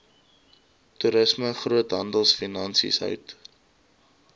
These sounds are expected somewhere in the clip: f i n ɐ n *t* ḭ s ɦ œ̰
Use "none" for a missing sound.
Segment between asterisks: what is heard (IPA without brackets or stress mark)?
s